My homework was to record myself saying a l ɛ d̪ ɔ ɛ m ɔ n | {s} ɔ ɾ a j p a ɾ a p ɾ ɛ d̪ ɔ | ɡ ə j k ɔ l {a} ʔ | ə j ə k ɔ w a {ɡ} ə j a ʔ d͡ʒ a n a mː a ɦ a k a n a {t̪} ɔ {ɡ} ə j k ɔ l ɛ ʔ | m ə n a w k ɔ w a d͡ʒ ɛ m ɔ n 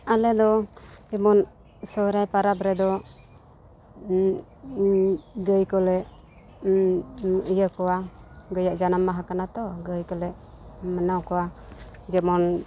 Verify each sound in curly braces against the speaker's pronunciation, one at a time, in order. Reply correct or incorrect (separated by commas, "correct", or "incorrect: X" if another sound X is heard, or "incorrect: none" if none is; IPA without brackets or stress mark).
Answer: correct, incorrect: ɛ, correct, correct, correct